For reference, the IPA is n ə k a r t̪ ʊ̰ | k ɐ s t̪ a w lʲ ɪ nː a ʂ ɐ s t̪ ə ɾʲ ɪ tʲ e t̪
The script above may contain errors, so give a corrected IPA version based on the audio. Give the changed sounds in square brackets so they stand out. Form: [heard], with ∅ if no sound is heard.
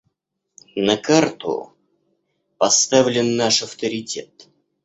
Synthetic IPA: n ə k a r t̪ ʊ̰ | [p] ɐ s t̪ a [v] lʲ ɪ nː a ʂ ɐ [f] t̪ ə ɾʲ ɪ tʲ e t̪